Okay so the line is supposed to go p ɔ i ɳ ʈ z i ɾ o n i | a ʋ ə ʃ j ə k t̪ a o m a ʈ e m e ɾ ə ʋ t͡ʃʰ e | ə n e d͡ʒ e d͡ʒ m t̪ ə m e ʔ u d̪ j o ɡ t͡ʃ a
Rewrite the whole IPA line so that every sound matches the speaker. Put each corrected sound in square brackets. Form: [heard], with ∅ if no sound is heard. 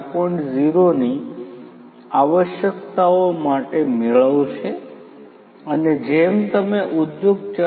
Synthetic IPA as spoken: p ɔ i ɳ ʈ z i ɾ o n i | a ʋ ə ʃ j ə k t̪ a o m a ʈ e m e [ɭ] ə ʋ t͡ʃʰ e | ə n e d͡ʒ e [∅] m t̪ ə m e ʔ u d̪ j o ɡ t͡ʃ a